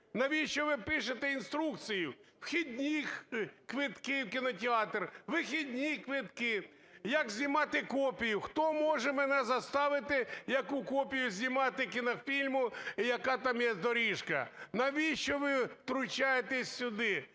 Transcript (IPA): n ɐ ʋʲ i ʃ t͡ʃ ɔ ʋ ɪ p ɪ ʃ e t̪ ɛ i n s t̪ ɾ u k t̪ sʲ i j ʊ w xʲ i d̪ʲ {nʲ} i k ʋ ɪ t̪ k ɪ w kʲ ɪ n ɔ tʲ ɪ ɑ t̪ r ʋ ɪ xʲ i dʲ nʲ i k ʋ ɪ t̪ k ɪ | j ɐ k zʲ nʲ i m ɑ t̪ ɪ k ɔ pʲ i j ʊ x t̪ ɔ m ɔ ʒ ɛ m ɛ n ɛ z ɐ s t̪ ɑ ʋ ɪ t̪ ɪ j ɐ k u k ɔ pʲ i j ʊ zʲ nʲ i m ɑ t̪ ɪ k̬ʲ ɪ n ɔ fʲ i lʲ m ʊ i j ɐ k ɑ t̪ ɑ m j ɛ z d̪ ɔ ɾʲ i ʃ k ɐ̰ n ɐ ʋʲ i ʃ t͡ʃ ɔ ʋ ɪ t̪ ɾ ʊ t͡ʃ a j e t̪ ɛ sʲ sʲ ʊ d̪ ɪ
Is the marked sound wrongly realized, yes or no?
no